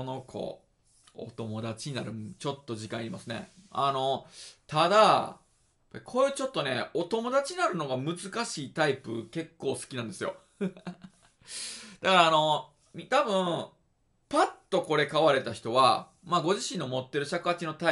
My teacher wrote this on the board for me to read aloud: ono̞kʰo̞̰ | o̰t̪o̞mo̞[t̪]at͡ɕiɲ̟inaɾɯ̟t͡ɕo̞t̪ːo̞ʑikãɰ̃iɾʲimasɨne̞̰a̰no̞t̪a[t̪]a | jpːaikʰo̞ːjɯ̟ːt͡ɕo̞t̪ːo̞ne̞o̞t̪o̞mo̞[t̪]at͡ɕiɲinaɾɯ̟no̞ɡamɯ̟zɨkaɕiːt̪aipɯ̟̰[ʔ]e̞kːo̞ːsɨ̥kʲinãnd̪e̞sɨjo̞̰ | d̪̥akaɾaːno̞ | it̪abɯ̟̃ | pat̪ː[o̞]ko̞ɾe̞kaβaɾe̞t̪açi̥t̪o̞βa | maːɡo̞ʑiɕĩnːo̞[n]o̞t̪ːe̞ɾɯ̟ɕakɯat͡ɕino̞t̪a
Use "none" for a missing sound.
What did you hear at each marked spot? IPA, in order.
d̪, d̪, d̪, k, o̞, m

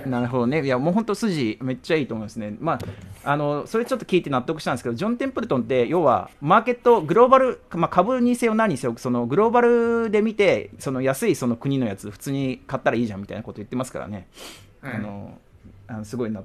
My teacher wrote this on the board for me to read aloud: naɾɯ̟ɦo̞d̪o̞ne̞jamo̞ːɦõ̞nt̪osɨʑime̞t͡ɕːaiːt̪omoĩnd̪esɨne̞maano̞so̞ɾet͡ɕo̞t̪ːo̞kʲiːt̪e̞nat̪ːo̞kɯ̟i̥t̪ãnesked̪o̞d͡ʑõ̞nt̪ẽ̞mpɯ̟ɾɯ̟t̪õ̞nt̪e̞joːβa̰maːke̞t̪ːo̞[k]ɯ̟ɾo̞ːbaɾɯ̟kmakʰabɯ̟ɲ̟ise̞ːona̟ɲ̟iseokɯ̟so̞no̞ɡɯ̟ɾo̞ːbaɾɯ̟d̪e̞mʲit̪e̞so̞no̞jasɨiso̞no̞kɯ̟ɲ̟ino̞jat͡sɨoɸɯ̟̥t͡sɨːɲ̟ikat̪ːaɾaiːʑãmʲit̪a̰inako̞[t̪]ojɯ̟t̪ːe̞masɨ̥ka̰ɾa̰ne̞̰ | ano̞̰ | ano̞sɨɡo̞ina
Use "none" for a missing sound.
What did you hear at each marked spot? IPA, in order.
ɡ, t̪

